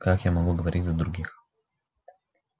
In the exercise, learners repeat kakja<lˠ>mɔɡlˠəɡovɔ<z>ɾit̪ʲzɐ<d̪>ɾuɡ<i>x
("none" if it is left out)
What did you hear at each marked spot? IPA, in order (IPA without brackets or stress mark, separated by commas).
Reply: none, none, d̪, i